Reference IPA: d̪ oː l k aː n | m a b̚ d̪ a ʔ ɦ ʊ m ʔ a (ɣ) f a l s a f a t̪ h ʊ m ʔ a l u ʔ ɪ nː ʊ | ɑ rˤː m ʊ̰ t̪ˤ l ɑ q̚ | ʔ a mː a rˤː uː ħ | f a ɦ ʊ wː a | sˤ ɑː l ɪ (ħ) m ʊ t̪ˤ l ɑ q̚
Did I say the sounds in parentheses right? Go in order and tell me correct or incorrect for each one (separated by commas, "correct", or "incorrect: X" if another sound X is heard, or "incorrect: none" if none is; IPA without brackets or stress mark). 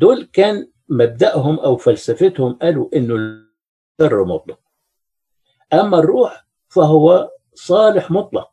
incorrect: w, correct